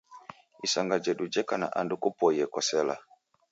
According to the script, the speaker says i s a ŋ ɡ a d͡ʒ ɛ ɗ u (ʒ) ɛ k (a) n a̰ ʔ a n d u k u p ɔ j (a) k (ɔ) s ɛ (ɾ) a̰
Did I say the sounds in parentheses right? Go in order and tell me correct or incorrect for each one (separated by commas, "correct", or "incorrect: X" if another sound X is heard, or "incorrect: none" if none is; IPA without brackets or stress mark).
incorrect: d͡ʒ, correct, incorrect: ɛ, correct, incorrect: l